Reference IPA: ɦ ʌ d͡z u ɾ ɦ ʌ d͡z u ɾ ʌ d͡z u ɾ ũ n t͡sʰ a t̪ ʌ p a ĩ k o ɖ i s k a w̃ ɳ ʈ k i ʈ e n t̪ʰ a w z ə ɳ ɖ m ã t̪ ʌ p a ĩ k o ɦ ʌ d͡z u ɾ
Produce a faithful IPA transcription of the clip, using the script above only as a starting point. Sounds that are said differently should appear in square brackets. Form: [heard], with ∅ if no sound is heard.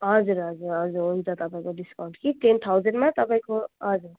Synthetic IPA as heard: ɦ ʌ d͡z u ɾ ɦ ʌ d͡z u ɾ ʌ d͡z u ɾ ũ n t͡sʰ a t̪ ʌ p a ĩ k o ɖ i s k a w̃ ɳ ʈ k i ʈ e n t̪ʰ a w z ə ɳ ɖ m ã t̪ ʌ p a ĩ k o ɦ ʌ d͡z u ɾ

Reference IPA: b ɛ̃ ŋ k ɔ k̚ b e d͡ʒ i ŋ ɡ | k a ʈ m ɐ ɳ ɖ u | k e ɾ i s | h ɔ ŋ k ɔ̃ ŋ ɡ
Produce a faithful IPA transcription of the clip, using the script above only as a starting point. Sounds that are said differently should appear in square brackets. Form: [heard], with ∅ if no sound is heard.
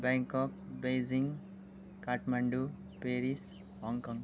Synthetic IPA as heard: b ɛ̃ ŋ k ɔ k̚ b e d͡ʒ i ŋ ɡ | k a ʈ m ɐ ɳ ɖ u | [p] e ɾ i s | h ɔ ŋ k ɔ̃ ŋ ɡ

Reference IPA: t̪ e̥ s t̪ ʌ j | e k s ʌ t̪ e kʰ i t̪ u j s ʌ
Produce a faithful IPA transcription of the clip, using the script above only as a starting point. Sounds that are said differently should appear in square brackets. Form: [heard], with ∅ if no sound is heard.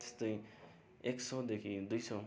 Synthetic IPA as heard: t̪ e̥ s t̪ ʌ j | e k s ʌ [d̪] e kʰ i [d̪] u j s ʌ

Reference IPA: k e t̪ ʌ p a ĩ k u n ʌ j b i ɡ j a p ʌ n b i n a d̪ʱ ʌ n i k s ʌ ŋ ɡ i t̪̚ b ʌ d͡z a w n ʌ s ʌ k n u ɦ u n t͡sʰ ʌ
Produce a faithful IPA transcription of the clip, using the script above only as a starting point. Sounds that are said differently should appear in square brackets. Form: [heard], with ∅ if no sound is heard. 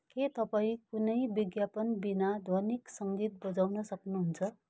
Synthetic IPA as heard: k e t̪ ʌ p a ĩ k u n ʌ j b i ɡ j a p ʌ n b i n a d̪ʱ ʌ n i k s ʌ ŋ ɡ i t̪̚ b ʌ d͡z a w n ʌ s ʌ k n u ɦ u n t͡sʰ ʌ

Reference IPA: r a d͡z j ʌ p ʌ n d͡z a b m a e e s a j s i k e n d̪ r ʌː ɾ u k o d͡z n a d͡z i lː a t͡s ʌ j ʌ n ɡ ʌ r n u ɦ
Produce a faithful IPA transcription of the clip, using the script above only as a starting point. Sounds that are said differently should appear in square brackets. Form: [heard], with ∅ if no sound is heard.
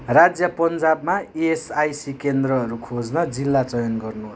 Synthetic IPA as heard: r a d͡z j ʌ p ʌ n d͡z a b m a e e s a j s i k e n d̪ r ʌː ɾ u [kʰ] o d͡z n [ʌ] d͡z i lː a t͡s ʌ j ʌ n ɡ ʌ r n u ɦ

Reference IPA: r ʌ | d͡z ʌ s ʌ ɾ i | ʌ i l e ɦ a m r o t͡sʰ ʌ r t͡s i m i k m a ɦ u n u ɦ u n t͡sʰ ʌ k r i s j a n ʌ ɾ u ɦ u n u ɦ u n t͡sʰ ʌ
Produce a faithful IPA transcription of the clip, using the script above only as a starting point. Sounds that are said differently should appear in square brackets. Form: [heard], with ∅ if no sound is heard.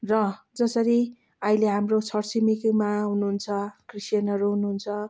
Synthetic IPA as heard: r ʌ | d͡z ʌ s ʌ ɾ i | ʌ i l e ɦ a m r o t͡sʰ ʌ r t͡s i m i k m a ɦ u n u ɦ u n t͡sʰ ʌ k r i s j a n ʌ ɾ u ɦ u n u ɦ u n t͡sʰ ʌ

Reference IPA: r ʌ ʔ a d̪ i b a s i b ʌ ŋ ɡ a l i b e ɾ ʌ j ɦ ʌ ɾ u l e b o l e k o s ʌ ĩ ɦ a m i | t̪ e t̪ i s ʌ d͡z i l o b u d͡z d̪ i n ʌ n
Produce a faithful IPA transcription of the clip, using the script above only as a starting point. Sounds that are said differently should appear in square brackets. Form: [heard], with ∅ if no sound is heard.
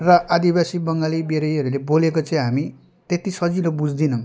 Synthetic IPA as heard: r ʌ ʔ a d̪ i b a s i b ʌ ŋ ɡ a l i b e ɾ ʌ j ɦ ʌ ɾ u l e b o l e k o [t͡s] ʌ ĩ ɦ a m i | t̪ e t̪ i s ʌ d͡z i l o b u d͡z d̪ i n ʌ [m]

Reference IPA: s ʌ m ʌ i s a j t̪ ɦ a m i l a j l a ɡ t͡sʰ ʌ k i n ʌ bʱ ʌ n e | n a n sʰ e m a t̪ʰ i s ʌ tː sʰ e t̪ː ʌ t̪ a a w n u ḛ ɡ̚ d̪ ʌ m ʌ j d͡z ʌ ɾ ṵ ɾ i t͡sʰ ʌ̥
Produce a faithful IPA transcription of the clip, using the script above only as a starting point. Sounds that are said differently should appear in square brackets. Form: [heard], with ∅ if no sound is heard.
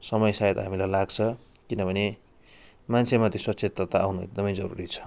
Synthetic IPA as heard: s ʌ m ʌ [j] s a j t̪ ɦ a m i l a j l a ɡ t͡sʰ ʌ k i n ʌ bʱ ʌ n e | [m] a n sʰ e m a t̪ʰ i s ʌ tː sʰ e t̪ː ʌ t̪ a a w n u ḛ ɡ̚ d̪ ʌ m ʌ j d͡z ʌ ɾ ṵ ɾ i t͡sʰ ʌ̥

